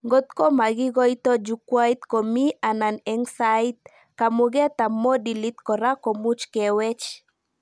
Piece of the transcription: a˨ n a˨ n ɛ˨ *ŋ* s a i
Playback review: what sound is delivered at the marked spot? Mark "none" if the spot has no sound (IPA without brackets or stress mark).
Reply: ŋ